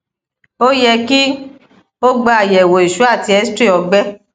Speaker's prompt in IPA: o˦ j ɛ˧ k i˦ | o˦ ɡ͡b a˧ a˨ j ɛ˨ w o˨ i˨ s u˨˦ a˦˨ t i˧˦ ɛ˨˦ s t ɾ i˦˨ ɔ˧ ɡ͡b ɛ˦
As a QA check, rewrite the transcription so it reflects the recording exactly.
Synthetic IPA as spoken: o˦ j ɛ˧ k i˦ | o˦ ɡ͡b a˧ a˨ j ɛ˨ w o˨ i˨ ʃ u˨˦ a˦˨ t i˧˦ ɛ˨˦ s t ɾ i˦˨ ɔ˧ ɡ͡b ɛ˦

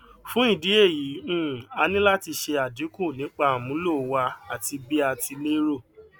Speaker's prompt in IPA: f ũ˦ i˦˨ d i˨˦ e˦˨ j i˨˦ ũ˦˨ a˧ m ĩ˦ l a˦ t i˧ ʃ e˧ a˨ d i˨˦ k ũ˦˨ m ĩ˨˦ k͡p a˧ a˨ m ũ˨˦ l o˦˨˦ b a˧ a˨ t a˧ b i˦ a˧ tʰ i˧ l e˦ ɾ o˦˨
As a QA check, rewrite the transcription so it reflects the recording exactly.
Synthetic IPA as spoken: f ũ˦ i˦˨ d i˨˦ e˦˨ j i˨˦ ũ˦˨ a˧ n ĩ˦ l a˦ t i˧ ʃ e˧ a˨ d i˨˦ k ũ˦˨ n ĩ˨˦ k͡p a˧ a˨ m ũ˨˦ l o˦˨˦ w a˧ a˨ t i˧ b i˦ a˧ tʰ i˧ l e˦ ɾ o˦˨

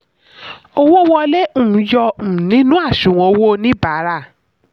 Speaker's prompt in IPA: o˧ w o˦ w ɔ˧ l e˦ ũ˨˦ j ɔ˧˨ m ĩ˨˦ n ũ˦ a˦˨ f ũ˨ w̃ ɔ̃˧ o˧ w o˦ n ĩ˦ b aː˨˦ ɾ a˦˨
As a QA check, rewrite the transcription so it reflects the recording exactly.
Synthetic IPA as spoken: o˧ w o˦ w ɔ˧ l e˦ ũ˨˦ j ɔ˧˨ n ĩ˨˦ n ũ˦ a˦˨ ʃ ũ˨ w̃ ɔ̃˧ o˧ w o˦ n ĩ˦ b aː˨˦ ɾ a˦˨

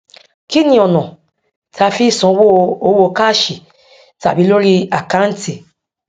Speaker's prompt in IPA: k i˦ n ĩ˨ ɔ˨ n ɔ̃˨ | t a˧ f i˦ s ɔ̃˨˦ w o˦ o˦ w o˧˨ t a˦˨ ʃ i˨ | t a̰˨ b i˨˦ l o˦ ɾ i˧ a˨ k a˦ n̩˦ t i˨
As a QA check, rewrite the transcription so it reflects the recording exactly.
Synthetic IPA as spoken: k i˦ n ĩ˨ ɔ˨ n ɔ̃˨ | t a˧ f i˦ s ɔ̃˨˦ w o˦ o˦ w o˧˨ k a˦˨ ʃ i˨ | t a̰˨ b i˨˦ l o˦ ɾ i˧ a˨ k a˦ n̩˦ t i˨

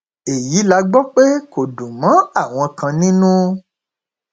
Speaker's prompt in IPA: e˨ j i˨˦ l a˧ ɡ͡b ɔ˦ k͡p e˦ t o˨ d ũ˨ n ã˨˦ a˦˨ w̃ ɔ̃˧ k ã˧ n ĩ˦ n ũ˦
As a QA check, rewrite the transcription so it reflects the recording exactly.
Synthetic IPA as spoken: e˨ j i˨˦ l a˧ ɡ͡b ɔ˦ k͡p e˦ k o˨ d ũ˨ m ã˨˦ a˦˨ w̃ ɔ̃˧ k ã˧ n ĩ˦ n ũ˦

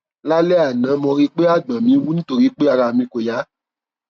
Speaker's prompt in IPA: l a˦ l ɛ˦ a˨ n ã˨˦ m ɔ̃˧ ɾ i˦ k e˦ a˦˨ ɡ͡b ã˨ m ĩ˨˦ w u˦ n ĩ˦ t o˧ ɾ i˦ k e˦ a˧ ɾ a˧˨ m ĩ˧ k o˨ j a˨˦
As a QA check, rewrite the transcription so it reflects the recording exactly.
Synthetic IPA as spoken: l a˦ l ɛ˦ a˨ n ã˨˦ m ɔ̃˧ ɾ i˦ k͡p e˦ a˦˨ ɡ͡b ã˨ m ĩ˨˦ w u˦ n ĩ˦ t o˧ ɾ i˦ k͡p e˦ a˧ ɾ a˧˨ m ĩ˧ k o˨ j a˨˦

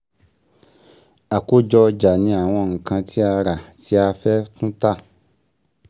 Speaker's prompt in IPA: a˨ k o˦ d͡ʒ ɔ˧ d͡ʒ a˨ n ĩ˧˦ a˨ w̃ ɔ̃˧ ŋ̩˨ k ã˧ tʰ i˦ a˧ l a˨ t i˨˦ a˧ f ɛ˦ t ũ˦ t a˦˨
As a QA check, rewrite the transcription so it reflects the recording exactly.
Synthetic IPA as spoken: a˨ k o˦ d͡ʒ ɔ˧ d͡ʒ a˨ n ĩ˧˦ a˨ w̃ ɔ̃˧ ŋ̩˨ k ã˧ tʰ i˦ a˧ ɾ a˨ t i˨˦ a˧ f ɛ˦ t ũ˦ t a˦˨

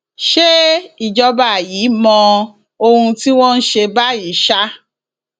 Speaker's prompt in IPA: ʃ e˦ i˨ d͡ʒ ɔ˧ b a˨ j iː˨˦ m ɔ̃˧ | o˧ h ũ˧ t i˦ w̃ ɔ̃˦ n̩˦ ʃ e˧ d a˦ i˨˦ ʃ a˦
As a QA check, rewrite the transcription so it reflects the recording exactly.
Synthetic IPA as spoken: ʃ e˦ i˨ d͡ʒ ɔ˧ b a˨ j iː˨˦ m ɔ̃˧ | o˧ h ũ˧ t i˦ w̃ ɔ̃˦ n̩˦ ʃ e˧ b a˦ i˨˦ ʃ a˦

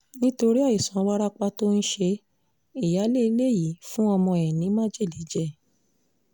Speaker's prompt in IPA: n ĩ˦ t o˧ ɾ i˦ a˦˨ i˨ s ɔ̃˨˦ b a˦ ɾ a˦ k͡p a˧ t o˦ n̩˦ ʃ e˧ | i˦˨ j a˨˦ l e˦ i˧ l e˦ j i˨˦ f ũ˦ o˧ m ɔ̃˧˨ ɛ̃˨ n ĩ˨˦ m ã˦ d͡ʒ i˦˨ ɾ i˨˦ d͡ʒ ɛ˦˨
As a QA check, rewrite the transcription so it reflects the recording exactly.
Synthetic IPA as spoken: n ĩ˦ t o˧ ɾ i˦ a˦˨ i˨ s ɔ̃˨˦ w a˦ ɾ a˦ k͡p a˧ t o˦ n̩˦ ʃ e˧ | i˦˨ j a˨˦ l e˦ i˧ l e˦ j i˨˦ f ũ˦ ɔ˧ m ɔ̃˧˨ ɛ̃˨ n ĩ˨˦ m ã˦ d͡ʒ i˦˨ l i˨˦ d͡ʒ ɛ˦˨

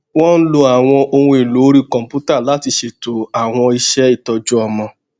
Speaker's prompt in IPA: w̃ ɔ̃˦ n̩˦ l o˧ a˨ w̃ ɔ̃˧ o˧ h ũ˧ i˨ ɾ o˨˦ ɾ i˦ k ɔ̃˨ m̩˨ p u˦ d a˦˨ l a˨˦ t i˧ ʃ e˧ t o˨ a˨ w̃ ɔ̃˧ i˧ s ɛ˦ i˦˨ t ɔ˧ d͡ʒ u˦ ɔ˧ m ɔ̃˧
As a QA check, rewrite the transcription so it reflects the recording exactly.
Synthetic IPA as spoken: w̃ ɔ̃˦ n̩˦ l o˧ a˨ w̃ ɔ̃˧ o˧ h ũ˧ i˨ l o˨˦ ɾ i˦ k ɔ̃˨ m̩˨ p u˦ t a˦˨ l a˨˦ t i˧ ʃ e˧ t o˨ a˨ w̃ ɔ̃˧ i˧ ʃ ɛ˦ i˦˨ t ɔ˧ d͡ʒ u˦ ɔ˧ m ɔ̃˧

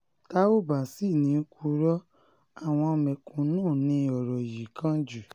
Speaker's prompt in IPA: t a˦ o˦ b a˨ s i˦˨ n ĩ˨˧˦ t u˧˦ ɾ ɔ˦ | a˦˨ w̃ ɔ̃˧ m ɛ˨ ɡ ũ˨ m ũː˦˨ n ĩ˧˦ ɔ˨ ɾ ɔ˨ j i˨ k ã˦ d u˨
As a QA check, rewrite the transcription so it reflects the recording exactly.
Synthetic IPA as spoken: t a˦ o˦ b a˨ s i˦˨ n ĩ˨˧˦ k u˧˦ ɾ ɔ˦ | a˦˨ w̃ ɔ̃˧ m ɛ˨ k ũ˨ n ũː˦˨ n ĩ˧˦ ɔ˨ ɾ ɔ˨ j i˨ k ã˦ d͡ʒ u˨

